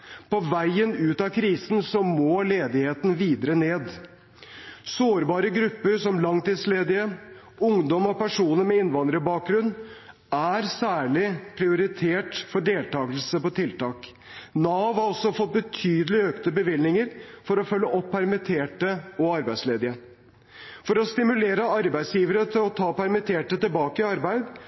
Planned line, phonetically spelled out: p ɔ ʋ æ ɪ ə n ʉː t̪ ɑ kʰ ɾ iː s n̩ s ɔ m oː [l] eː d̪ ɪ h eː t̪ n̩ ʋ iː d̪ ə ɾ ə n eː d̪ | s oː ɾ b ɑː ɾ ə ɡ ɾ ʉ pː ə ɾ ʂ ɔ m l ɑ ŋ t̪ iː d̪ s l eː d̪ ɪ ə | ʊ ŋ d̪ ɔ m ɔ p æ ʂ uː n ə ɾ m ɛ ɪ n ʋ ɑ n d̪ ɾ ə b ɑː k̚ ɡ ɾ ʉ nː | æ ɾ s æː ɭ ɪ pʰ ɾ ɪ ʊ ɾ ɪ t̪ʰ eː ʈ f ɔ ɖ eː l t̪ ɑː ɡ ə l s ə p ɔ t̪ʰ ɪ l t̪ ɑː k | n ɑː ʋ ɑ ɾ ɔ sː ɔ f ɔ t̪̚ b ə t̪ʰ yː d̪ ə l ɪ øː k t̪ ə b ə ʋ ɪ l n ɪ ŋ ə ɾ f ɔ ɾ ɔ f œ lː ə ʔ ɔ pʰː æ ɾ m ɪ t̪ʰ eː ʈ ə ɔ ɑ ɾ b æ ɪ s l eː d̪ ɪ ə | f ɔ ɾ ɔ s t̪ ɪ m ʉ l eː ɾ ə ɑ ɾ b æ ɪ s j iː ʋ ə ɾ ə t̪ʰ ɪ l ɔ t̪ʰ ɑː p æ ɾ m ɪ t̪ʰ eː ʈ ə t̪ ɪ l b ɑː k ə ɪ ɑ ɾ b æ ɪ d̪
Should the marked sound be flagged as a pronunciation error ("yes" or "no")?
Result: no